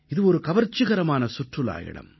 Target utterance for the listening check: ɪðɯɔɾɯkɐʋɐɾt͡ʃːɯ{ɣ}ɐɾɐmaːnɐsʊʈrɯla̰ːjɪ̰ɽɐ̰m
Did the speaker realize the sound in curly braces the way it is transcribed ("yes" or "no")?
yes